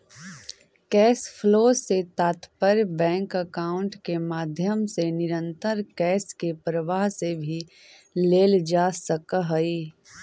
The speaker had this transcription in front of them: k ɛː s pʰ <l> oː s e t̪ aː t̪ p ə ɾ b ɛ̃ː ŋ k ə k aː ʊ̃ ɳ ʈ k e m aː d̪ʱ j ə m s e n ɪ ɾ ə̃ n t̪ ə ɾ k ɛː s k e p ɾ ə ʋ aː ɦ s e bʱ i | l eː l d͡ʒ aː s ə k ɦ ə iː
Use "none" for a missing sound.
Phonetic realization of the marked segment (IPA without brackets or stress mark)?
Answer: l